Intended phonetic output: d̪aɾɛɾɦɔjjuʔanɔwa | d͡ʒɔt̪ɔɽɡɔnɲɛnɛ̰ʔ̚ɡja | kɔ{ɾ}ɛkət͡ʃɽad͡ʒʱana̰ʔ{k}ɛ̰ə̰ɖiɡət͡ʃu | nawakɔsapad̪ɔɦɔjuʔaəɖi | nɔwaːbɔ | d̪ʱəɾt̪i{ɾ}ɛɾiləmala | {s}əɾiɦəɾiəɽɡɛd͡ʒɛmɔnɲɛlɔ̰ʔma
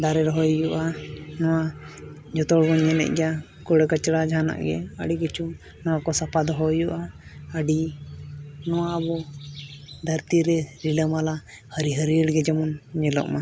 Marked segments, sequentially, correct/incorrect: incorrect: ɽ, incorrect: ɡ, correct, incorrect: h

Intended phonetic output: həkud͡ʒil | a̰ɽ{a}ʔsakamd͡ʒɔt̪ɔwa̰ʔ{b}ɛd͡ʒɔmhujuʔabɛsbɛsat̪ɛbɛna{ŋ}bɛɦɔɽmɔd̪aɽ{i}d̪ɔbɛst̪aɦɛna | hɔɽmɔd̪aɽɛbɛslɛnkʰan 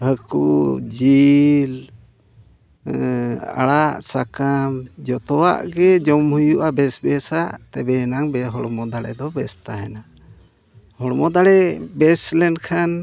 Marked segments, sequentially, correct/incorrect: correct, incorrect: ɡ, correct, incorrect: ɛ

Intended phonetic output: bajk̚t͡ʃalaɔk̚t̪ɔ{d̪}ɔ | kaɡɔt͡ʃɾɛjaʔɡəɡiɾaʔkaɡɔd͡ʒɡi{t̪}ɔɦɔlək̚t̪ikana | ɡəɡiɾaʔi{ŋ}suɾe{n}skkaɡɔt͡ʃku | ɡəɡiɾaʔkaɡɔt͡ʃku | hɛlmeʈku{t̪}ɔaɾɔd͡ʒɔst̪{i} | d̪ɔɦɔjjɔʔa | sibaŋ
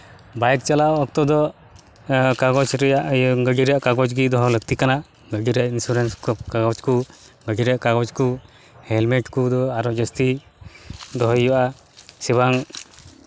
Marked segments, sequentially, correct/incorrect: correct, incorrect: d̪, incorrect: n, correct, incorrect: d̪, correct

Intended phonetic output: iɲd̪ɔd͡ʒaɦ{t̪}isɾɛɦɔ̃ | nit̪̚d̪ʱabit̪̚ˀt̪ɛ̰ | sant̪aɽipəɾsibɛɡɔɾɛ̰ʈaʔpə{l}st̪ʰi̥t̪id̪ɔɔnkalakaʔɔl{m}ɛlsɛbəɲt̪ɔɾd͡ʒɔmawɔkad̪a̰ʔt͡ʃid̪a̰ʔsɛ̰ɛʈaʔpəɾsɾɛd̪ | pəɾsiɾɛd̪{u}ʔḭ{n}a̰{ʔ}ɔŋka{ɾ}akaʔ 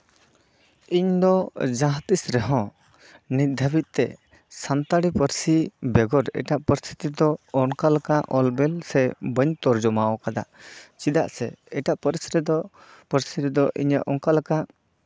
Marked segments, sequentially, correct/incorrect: correct, incorrect: ɾ, incorrect: b, incorrect: ɔ, incorrect: ɲ, correct, incorrect: l

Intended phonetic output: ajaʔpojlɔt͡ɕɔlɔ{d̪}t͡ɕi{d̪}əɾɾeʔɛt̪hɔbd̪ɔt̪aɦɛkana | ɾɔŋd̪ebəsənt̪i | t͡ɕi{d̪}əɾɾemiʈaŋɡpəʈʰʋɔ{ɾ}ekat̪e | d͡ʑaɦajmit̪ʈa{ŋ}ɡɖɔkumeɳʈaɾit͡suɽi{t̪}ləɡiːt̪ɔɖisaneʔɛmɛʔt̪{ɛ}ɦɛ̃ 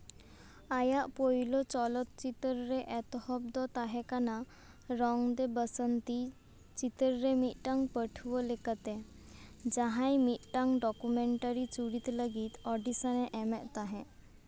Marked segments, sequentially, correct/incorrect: incorrect: t̪, incorrect: t̪, incorrect: t̪, incorrect: l, correct, correct, incorrect: a

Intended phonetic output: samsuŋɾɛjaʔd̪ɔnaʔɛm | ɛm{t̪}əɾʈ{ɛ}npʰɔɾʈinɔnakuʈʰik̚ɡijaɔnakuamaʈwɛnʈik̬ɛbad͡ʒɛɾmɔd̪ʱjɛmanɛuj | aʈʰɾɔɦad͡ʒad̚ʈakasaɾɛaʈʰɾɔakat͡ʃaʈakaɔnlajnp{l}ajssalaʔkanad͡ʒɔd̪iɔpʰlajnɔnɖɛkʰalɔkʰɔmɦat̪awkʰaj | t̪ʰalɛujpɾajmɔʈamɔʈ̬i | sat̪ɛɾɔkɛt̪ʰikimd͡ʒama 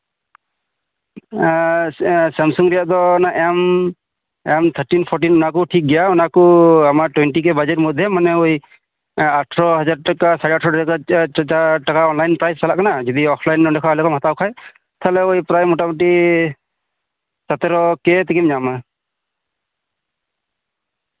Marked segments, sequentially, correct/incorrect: incorrect: t̪ʰ, incorrect: i, incorrect: ɾ

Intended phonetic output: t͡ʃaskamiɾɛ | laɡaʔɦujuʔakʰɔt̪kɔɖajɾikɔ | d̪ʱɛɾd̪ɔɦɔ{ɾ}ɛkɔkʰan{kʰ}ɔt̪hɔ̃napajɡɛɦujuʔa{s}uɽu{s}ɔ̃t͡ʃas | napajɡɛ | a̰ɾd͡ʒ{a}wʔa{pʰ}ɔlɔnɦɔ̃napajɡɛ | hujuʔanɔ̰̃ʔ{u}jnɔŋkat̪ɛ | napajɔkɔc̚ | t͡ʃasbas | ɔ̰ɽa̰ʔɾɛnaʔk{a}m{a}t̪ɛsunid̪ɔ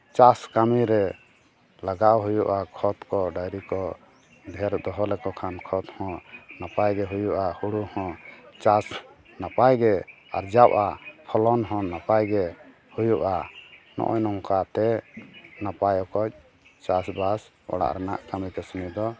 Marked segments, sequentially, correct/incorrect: incorrect: l, correct, incorrect: h, incorrect: h, correct, correct, incorrect: ɔ, correct, incorrect: i

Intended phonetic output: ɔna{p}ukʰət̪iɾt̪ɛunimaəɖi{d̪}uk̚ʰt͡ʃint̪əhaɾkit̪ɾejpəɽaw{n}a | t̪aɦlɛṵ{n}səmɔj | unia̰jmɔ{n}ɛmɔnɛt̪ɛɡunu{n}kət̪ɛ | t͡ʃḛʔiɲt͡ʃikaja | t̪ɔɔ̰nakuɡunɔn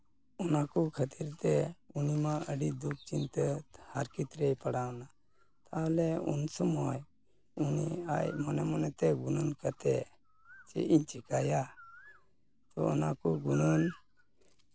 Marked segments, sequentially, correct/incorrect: incorrect: k, correct, correct, correct, correct, correct

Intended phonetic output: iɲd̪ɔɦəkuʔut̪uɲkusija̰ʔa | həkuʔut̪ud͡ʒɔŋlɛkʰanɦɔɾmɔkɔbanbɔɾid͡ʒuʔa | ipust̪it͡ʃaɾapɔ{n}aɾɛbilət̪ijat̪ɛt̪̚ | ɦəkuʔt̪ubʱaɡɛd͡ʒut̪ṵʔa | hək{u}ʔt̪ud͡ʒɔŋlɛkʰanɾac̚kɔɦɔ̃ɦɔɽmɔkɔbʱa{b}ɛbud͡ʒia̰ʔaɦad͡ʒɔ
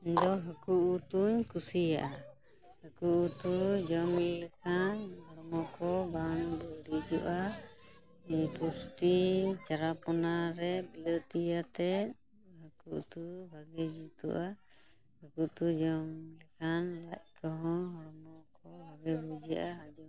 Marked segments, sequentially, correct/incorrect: correct, correct, incorrect: ɡ

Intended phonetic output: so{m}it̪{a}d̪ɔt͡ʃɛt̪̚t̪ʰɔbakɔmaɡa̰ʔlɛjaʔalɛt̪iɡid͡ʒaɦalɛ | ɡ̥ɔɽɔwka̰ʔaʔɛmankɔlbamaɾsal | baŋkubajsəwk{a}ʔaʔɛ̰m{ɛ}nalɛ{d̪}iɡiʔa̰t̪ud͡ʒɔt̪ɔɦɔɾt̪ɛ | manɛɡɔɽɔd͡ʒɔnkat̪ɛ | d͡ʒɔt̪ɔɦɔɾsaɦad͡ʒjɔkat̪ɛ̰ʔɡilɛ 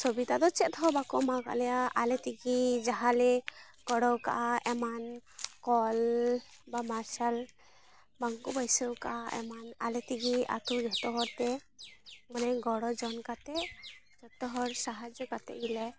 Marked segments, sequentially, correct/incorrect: incorrect: b, correct, correct, incorrect: a, incorrect: t̪

